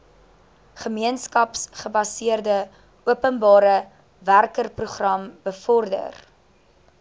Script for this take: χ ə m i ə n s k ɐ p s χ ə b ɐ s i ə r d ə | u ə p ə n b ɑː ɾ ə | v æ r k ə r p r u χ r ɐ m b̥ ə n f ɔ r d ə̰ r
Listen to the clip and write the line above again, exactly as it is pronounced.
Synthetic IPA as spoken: χ ə m i ə n s k ɐ p s χ ə b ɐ s i ə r d ə | u ə p ə n b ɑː ɾ ə | v æ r k ə r p r u χ r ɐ m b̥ ə f ɔ r d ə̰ r